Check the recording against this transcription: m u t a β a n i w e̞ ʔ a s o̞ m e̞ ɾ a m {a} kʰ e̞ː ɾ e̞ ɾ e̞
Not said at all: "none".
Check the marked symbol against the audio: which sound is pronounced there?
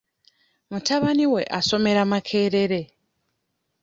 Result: a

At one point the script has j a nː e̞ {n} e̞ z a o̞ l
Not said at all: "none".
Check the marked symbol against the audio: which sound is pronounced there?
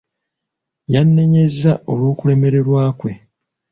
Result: ɲ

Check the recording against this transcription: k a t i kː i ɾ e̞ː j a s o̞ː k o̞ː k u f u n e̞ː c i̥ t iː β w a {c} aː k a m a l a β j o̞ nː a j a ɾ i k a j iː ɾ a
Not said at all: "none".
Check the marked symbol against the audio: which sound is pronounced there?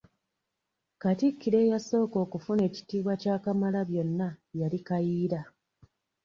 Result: c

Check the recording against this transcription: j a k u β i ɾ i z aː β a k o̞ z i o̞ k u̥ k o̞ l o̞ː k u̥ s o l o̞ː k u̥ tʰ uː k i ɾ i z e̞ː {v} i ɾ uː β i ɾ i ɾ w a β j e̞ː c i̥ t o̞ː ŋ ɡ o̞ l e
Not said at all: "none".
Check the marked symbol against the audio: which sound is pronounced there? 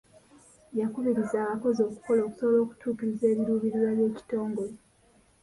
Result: β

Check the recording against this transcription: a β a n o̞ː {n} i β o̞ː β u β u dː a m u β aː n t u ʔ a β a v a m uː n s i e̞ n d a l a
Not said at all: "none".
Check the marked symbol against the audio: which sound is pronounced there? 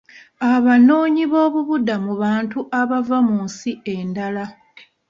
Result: ɲ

